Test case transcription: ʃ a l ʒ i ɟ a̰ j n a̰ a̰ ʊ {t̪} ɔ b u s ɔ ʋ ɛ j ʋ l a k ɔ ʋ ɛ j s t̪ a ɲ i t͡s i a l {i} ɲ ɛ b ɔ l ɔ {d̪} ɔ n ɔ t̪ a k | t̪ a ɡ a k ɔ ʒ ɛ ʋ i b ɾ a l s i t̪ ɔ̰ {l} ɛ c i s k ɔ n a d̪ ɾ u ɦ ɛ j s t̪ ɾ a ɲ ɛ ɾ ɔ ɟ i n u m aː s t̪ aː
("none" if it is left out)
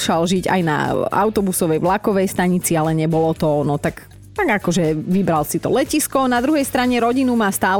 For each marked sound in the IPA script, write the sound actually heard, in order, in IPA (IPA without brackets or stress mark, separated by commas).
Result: t̪, ɛ, t̪, l